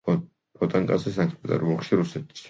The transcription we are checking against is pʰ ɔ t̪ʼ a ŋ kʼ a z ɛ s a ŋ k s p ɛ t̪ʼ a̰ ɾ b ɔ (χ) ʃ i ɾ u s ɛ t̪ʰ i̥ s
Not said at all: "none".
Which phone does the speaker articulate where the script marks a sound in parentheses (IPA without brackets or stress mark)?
χ